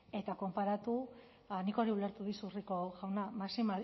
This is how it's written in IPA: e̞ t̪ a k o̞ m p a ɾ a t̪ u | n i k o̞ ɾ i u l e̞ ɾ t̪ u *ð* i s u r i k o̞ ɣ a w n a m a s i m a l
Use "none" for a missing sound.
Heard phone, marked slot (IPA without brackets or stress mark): ð